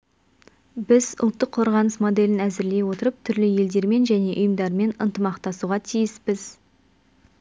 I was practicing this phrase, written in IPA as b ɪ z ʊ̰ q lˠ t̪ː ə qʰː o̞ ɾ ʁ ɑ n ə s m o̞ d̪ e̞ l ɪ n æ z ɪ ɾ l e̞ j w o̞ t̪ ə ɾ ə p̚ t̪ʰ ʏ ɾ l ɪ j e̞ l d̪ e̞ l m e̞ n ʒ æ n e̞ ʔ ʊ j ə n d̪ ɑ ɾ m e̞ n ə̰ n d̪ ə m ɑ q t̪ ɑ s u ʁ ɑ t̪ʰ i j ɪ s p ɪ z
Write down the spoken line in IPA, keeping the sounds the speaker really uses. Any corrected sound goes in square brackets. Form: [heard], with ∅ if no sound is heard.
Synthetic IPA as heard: b ɪ z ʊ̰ [∅] lˠ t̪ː ə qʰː o̞ ɾ ʁ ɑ n ə s m o̞ d̪ e̞ l ɪ n æ z ɪ ɾ l e̞ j w o̞ t̪ ə ɾ ə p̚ t̪ʰ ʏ ɾ l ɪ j e̞ l d̪ e̞ [ɾ] m e̞ n ʒ æ n e̞ ʔ ʊ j ə [m] d̪ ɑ ɾ m e̞ n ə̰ n [t̪] ə m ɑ q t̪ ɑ s u ʁ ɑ t̪ʰ i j ɪ s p ɪ z